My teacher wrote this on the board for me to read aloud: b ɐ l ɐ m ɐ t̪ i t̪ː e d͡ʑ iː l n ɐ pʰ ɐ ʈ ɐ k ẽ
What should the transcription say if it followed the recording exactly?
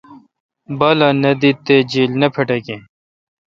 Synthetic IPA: b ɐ l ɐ n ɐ d̪ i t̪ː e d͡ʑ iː l n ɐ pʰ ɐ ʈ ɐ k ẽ